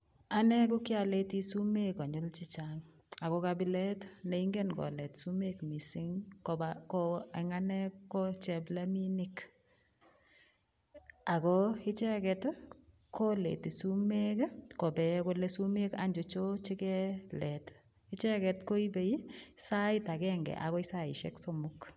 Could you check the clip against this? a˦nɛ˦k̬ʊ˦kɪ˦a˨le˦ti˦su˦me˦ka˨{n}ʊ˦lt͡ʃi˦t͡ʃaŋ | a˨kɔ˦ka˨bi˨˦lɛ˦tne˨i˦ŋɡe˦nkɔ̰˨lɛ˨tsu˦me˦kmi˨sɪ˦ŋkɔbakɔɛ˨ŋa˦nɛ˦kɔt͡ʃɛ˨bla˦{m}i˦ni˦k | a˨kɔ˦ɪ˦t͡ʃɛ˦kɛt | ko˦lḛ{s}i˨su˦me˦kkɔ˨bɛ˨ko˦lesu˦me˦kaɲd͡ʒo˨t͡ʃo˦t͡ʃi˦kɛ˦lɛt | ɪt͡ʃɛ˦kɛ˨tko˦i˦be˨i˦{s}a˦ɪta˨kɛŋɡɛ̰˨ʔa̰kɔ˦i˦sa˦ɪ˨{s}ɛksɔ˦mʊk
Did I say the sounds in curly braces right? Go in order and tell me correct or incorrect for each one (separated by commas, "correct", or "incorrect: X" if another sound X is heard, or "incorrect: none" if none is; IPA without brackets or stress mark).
incorrect: ɲ, correct, incorrect: t, correct, incorrect: ʃ